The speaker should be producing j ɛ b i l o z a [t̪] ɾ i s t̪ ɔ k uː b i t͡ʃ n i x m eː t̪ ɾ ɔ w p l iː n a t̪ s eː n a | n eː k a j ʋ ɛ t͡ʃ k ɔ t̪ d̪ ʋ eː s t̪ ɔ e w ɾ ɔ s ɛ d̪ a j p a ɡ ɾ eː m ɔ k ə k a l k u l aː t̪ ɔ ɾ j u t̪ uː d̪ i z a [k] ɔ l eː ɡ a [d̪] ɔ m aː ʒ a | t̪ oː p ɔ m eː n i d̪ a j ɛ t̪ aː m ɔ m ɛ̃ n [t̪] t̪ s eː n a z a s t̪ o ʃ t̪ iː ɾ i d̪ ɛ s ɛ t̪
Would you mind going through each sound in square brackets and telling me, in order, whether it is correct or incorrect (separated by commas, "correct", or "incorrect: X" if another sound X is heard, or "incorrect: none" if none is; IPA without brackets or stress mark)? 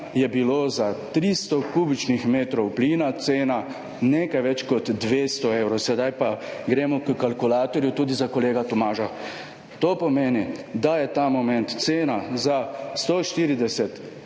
correct, correct, incorrect: t̪, correct